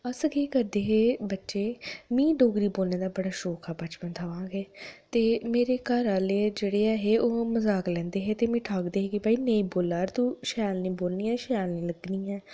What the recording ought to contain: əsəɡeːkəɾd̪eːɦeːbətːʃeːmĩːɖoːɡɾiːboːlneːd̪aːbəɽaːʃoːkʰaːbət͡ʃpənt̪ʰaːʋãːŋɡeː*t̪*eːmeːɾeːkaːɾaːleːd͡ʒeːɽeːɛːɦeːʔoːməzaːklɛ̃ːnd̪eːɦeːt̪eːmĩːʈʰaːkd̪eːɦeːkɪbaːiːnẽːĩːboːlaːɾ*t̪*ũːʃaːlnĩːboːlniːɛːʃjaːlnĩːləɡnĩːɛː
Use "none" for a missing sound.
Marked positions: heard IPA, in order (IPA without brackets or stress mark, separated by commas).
t̪, t̪